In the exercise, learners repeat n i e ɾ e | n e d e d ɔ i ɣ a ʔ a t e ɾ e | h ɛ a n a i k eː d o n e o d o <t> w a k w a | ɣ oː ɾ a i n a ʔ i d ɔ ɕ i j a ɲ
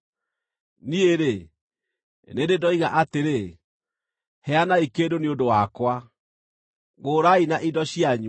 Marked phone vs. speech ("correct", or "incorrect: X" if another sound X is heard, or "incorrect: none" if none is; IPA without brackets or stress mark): incorrect: none